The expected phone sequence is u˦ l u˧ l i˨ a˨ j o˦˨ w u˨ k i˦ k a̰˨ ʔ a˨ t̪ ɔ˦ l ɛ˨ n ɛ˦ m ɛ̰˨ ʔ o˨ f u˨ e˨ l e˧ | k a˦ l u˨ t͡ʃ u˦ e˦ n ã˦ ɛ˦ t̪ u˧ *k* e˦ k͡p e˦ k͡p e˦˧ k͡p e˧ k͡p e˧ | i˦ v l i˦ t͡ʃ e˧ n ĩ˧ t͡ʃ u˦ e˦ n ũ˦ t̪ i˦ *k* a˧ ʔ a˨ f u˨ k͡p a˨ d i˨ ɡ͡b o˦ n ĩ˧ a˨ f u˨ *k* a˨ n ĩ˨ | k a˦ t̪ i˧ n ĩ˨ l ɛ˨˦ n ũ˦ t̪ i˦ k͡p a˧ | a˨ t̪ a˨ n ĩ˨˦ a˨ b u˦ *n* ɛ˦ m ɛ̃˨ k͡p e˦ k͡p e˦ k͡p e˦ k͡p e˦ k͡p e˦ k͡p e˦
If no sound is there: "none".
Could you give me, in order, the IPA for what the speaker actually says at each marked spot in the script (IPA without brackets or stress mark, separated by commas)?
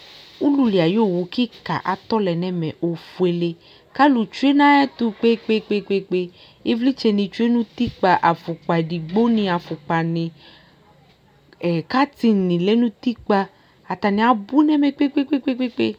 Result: k͡p, k͡p, k͡p, n